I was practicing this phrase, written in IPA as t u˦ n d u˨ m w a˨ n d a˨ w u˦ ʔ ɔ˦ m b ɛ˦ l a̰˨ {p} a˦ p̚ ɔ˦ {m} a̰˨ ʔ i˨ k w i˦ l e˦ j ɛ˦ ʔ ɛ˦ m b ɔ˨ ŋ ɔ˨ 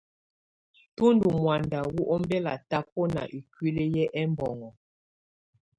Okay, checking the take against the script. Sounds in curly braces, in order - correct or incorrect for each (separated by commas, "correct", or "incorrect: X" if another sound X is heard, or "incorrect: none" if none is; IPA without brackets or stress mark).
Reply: incorrect: t, incorrect: n